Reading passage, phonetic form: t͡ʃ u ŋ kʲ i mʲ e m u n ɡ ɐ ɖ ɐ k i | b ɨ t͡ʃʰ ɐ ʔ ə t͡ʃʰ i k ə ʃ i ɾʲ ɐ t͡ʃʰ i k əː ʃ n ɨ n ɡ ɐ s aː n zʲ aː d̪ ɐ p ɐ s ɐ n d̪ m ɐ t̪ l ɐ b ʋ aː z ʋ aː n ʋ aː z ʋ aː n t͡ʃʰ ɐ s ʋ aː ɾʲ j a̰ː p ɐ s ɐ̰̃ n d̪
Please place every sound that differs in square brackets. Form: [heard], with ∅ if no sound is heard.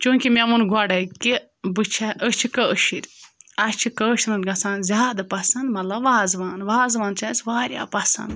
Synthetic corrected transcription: t͡ʃ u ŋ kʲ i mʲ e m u n ɡ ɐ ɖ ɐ k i | b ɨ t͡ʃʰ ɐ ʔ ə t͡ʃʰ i k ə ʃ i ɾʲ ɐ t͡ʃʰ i k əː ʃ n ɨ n ɡ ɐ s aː n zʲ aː d̪ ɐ p ɐ s ɐ n d̪ m ɐ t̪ l ɐ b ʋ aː z ʋ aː n ʋ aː z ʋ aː n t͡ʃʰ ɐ s ʋ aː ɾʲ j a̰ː p ɐ s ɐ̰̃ n d̪